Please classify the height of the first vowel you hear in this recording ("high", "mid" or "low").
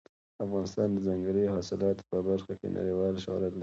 low